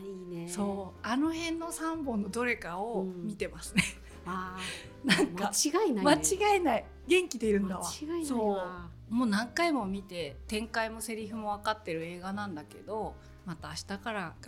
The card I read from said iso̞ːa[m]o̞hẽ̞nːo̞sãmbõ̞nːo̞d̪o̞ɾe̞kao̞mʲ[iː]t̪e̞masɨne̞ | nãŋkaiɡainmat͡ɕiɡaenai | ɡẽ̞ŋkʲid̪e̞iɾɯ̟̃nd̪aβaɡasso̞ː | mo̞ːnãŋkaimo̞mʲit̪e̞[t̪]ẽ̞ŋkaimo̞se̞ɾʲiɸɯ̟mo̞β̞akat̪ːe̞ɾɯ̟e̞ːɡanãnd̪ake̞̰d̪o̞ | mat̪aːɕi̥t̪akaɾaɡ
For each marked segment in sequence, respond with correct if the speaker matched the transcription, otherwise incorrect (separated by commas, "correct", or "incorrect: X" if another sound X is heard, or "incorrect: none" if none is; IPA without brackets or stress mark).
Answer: incorrect: n, incorrect: i, correct